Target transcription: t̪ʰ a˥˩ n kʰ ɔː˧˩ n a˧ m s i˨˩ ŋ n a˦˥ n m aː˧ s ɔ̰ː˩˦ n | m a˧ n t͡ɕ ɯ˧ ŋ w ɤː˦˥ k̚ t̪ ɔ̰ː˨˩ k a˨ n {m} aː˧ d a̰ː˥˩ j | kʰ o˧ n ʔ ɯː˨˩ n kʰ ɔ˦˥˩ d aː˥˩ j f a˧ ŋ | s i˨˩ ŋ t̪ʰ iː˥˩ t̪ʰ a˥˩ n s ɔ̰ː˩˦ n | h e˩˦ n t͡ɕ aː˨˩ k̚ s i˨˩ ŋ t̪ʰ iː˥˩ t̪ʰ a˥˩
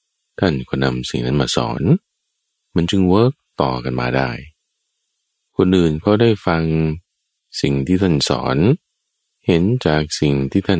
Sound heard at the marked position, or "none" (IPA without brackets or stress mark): m